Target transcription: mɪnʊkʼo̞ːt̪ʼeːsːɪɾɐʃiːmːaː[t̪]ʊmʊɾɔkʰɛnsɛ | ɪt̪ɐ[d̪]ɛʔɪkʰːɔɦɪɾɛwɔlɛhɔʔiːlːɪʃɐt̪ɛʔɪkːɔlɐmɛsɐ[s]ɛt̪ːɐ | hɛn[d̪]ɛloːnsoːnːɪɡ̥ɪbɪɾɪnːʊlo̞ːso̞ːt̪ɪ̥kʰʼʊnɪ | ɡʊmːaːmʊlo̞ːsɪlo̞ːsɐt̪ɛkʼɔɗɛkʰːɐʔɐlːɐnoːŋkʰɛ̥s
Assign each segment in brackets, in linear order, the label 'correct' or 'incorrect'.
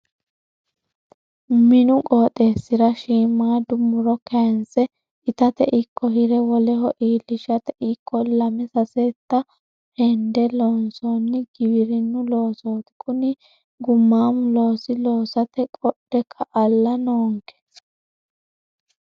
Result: incorrect: d̪, incorrect: t̪, correct, correct

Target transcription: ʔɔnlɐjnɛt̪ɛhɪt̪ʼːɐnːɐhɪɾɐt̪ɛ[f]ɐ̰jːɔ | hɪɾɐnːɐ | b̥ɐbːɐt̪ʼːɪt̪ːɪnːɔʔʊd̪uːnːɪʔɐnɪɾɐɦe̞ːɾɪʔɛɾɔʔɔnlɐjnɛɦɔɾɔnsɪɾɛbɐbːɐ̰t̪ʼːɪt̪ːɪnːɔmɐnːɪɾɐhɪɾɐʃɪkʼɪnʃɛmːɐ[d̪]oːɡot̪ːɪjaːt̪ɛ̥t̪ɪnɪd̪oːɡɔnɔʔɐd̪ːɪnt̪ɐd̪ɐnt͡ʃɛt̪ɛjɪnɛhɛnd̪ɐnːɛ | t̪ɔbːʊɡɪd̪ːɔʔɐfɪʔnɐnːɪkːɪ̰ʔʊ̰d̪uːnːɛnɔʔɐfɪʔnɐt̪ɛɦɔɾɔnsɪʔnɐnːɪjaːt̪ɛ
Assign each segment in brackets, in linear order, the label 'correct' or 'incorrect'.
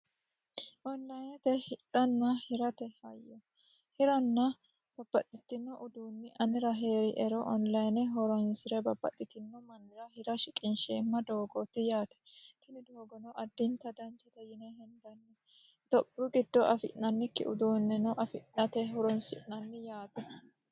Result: incorrect: h, correct

